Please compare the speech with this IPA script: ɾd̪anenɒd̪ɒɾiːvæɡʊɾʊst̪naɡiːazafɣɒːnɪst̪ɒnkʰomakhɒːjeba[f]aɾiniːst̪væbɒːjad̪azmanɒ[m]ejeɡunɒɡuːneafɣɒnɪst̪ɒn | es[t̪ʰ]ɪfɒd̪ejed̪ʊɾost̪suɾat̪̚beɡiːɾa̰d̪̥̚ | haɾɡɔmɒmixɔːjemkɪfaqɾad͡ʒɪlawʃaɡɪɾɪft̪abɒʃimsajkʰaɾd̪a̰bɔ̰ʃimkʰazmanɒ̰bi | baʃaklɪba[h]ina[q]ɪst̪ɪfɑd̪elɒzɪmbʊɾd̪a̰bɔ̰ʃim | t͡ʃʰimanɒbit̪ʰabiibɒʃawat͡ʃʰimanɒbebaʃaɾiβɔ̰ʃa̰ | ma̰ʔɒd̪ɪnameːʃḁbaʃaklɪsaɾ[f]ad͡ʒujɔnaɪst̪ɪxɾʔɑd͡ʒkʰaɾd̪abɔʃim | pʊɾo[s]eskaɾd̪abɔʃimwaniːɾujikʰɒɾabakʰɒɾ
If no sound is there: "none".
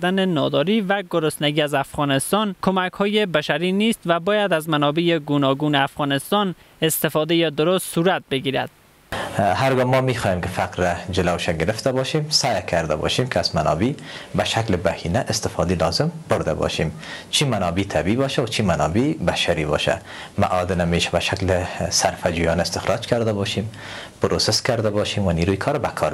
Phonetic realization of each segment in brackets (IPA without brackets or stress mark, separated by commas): ʃ, b, t̪, h, ʔ, f, s